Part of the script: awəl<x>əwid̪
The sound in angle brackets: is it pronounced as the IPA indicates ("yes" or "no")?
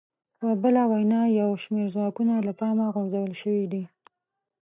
no